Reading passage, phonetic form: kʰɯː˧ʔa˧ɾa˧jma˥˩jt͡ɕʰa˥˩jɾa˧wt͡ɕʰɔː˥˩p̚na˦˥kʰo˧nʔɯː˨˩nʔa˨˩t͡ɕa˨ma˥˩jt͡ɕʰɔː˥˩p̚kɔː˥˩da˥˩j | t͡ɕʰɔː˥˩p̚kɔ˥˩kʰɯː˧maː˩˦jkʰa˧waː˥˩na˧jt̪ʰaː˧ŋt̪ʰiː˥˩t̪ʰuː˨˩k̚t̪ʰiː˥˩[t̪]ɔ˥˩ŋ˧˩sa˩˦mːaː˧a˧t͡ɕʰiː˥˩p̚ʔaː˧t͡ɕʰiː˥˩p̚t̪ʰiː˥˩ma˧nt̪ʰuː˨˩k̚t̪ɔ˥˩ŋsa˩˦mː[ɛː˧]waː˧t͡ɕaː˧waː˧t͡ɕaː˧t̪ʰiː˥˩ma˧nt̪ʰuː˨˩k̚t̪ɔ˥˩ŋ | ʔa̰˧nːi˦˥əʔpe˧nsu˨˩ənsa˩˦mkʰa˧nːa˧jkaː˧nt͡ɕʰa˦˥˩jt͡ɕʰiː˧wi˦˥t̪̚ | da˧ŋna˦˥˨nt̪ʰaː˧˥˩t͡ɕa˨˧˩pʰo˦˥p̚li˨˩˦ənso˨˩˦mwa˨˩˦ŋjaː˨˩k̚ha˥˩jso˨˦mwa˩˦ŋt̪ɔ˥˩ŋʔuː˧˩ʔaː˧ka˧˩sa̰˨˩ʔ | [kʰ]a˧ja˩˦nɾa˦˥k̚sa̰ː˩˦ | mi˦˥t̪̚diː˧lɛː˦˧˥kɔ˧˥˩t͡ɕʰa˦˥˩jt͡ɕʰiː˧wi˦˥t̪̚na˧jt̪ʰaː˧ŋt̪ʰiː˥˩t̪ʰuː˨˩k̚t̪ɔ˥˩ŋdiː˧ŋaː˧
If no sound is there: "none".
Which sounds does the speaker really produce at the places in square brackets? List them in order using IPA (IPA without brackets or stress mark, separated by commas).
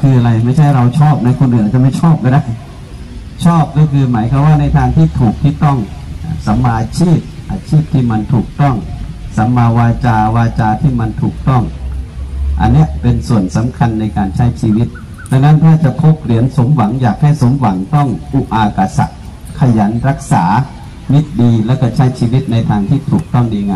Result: t̪, aː˧, kʰ